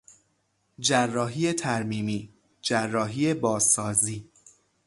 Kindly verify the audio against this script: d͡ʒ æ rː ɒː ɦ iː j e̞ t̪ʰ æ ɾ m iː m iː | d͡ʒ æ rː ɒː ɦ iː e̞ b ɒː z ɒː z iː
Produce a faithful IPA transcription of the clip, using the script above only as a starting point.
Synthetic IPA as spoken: d͡ʒ æ rː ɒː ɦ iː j e̞ t̪ʰ æ ɾ m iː m iː | d͡ʒ æ rː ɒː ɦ iː e̞ b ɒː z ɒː z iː

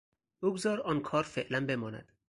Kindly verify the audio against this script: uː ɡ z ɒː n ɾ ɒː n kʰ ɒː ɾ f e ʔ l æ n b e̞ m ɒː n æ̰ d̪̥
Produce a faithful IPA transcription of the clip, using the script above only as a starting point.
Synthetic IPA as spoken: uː ɡ z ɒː ɾ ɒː n kʰ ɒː ɾ f e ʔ l æ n b e̞ m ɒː n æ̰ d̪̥

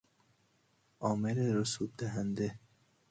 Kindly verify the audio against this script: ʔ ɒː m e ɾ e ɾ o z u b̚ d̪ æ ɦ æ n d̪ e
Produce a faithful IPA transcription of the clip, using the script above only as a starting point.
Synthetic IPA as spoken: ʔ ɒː m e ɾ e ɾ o s u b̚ d̪ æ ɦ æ n d̪ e

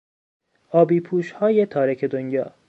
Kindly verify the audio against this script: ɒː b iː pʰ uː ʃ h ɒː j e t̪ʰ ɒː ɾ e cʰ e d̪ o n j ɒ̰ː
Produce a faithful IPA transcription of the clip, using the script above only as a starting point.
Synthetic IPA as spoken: ɒː b iː pʰ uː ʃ h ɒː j e t̪ʰ ɒː ɾ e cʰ e d̪ o n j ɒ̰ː

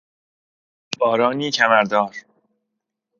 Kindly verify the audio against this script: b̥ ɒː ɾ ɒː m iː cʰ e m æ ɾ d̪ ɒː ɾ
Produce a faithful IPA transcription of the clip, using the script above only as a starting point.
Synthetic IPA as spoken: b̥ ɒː ɾ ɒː n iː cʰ æ m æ ɾ d̪ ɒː ɾ

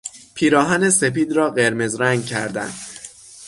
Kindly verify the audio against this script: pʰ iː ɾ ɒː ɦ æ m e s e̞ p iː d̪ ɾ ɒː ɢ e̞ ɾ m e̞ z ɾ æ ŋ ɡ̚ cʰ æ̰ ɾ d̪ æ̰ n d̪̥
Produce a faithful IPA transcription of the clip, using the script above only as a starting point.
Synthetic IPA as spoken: pʰ iː ɾ ɒː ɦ æ n e s e̞ p iː d̪ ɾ ɒː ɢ e̞ ɾ m e̞ z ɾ æ ŋ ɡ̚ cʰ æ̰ ɾ d̪ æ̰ n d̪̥

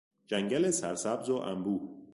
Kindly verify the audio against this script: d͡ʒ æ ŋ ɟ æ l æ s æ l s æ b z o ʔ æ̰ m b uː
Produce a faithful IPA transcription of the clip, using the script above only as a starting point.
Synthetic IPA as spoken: d͡ʒ æ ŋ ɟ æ l e s æ ɾ s æ b z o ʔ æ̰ m b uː

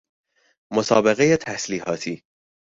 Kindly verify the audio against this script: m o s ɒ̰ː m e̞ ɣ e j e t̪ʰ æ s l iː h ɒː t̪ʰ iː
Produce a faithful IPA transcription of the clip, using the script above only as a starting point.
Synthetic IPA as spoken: m o s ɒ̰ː b e̞ ɣ e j e t̪ʰ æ s l iː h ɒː t̪ʰ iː

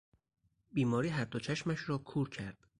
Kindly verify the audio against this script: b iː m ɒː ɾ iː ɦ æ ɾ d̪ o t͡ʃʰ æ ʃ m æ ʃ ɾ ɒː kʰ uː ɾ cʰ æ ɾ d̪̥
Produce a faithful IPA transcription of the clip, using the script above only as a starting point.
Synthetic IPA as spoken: b iː m ɒː ɾ iː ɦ æ ɾ d̪ o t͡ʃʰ æ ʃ m æ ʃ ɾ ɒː kʰ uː ɾ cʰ æ ɾ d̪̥

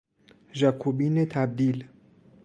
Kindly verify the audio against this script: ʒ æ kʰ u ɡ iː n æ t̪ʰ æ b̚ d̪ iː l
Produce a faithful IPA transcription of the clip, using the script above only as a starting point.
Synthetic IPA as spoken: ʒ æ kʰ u b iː n e t̪ʰ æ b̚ d̪ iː l

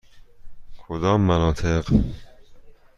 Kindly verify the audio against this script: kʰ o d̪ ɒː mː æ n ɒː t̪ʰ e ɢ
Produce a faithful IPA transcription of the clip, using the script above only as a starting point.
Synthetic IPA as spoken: kʰ o d̪ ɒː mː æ n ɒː t̪ʰ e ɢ

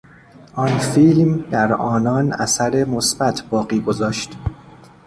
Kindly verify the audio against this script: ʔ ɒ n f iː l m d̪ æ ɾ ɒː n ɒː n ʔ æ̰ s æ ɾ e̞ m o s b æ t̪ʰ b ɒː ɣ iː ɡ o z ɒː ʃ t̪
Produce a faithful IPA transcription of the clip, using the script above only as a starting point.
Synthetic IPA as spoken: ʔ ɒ n f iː l m d̪ æ ɾ ɒː n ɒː n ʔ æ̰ s æ ɾ e̞ m o s b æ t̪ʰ b ɒː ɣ iː ɡ o z ɒː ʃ t̪

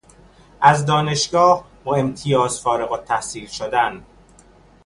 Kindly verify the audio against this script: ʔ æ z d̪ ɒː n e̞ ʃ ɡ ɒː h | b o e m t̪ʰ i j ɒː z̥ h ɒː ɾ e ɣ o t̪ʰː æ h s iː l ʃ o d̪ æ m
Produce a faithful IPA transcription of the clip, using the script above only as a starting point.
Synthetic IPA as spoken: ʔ æ z d̪ ɒː n e̞ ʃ ɡ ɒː h | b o e m t̪ʰ i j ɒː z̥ f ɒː ɾ e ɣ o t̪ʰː æ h s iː l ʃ o d̪ æ n

